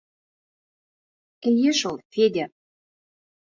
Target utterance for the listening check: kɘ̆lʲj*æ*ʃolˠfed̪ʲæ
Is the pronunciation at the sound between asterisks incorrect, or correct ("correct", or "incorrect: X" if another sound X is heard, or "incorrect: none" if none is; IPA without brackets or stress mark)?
incorrect: e